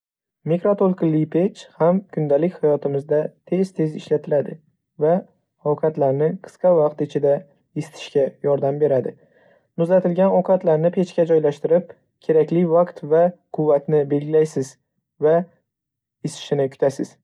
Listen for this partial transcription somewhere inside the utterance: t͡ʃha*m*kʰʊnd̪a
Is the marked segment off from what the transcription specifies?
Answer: no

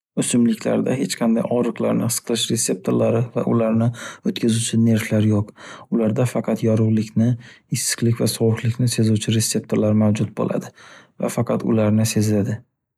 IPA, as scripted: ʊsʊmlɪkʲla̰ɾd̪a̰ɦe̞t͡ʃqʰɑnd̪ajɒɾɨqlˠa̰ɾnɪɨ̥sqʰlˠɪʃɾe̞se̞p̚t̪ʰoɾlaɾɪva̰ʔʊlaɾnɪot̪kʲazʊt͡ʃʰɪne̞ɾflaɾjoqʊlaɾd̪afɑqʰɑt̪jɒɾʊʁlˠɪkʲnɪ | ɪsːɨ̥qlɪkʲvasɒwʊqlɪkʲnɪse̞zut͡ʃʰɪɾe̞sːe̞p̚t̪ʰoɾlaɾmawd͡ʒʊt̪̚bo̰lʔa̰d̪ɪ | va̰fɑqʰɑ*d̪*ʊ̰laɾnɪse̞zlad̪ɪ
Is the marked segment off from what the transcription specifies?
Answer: yes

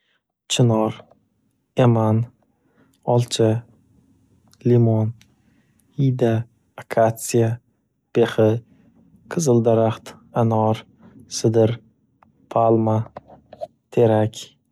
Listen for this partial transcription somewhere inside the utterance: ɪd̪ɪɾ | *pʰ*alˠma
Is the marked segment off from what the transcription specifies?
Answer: no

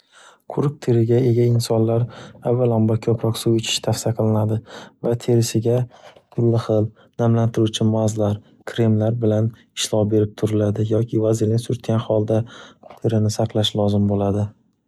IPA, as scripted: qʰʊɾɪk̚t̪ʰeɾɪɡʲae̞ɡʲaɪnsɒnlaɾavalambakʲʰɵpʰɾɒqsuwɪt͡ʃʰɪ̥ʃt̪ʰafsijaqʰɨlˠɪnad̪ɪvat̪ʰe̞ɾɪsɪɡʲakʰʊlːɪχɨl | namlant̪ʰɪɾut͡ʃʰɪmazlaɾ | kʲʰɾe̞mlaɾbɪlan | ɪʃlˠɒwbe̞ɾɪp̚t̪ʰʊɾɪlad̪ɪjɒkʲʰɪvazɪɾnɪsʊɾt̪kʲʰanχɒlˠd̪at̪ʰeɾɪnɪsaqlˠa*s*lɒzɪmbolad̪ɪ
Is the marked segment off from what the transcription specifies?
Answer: yes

